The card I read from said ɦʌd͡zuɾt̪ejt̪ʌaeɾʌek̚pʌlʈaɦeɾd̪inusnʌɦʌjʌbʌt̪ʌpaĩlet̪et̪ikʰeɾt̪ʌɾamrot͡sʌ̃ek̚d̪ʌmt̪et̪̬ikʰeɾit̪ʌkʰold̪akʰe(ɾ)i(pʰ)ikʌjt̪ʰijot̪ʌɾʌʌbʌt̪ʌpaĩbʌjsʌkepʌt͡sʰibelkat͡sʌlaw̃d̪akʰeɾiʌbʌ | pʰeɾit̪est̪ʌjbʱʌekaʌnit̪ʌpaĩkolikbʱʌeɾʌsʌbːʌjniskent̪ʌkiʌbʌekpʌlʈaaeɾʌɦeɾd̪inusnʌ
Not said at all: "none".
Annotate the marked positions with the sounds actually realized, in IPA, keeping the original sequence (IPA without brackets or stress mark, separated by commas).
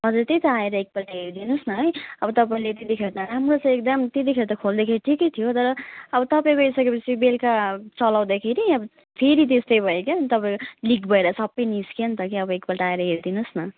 ɾ, ʈʰ